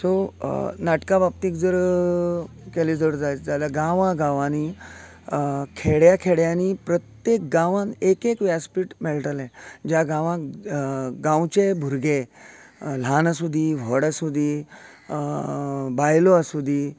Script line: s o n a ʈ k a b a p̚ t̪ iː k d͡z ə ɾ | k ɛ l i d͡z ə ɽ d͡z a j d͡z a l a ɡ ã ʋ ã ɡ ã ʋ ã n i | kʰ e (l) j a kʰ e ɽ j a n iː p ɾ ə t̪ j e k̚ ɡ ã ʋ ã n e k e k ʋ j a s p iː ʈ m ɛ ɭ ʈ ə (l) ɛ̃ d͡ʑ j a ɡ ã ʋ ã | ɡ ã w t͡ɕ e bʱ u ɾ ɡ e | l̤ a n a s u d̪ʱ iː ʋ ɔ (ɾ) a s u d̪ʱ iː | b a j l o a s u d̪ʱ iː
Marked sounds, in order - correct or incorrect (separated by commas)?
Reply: incorrect, correct, incorrect